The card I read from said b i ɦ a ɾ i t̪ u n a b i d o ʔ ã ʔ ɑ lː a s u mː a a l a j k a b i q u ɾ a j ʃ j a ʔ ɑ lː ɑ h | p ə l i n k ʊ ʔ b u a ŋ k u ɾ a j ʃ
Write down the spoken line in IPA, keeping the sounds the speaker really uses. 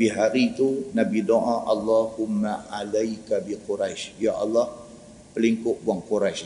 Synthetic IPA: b i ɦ a ɾ i t̪ u n a b i d o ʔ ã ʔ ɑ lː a h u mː a a l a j k a b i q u ɾ a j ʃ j a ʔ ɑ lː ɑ h | p ə l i ŋ k ʊ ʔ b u a ŋ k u ɾ a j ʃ